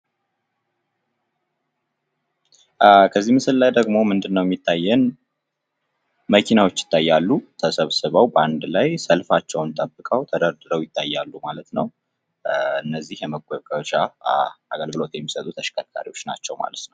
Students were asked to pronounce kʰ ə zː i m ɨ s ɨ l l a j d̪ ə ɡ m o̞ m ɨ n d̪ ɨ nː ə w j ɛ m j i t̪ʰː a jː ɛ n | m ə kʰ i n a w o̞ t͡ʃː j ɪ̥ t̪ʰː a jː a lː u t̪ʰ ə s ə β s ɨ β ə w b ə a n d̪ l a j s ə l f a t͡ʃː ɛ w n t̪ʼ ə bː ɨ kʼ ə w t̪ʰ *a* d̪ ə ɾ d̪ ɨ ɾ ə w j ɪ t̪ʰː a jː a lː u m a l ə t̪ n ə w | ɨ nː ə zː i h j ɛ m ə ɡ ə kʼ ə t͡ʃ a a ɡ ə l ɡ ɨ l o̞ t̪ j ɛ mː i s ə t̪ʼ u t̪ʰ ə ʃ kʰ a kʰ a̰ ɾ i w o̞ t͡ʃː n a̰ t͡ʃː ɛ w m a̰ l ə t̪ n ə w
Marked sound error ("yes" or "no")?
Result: yes